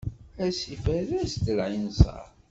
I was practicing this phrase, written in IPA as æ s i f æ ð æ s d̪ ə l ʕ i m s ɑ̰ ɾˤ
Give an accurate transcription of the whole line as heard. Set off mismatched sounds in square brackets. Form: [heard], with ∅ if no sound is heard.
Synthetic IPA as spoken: æ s i f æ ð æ s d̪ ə l ʕ i [n] s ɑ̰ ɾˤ

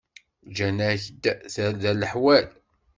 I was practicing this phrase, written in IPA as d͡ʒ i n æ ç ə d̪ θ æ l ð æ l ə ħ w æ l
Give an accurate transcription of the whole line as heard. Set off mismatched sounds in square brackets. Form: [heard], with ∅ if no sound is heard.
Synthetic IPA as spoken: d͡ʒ [æ] n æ ç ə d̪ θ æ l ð æ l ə ħ w æ l

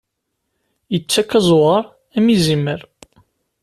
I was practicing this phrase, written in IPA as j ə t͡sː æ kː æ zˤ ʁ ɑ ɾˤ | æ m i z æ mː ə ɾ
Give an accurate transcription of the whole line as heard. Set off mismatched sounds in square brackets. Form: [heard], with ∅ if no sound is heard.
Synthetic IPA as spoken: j ə t͡sː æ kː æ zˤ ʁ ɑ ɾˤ | æ m i z [i] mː ə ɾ

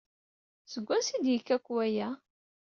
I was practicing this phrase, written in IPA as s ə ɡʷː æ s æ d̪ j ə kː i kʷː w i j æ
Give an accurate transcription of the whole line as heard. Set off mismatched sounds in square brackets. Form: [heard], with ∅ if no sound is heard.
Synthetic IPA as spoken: s ə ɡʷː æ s [i] d̪ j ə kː [æ] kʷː w [æ] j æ

